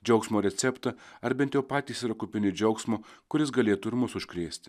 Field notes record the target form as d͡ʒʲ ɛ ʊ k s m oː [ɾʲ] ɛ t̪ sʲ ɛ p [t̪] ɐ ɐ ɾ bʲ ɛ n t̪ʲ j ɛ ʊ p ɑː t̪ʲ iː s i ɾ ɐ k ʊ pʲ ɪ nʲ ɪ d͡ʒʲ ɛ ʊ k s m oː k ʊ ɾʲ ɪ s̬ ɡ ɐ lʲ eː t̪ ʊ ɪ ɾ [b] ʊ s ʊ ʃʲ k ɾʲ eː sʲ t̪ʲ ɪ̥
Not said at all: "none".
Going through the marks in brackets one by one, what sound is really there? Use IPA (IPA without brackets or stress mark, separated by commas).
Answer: ɾʲ, t̪, m